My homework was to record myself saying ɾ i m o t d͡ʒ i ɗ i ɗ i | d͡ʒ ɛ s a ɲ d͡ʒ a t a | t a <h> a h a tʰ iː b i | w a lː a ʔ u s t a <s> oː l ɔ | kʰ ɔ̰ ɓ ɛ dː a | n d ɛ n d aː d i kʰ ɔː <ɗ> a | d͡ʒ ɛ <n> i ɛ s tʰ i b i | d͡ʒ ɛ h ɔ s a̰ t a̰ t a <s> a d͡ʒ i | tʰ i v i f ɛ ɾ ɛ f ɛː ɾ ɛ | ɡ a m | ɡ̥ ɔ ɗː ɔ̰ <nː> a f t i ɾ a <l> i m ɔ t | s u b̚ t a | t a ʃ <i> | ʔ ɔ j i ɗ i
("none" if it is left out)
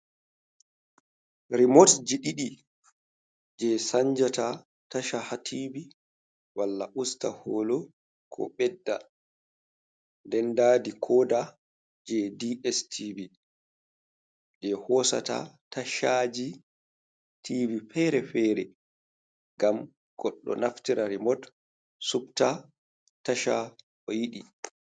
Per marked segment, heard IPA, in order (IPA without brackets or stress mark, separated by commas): ʃ, h, d, d, ʃ, n, ɾ, a